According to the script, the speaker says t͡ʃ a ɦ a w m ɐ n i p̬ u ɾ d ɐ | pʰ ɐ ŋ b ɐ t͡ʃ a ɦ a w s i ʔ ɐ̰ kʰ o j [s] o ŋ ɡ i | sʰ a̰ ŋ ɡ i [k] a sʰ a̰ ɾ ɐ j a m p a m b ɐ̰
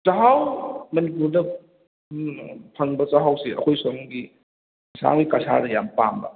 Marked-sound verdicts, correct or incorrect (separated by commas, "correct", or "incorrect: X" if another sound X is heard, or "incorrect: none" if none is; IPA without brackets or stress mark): correct, correct